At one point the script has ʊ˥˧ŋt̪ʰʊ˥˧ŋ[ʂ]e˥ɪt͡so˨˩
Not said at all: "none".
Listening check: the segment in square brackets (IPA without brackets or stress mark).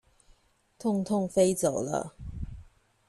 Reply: f